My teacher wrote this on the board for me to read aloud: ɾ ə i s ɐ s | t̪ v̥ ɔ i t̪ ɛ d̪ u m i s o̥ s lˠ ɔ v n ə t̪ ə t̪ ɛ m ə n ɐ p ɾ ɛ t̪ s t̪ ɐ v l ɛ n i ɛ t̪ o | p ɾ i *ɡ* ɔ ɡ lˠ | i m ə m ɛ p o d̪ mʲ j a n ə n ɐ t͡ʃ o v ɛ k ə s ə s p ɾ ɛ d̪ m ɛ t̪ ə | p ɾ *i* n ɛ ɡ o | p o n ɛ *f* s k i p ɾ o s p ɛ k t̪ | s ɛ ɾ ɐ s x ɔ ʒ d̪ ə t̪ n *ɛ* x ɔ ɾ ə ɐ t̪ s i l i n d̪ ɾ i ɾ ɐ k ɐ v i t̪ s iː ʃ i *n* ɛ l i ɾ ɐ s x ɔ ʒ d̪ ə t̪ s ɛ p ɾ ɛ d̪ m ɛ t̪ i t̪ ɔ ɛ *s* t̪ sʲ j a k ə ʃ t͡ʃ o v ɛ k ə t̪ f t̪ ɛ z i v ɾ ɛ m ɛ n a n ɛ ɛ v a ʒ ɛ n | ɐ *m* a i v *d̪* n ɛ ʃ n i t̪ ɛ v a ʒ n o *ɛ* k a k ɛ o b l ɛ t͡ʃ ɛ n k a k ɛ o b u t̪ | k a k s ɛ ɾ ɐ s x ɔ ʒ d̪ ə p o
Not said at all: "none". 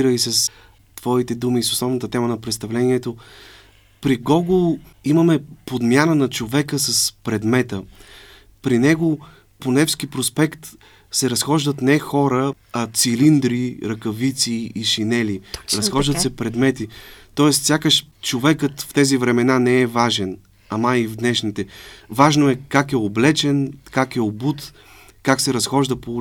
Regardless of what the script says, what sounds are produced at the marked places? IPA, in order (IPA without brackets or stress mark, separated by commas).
ɡ, i, f, ɛ, n, s, m, d̪, ɛ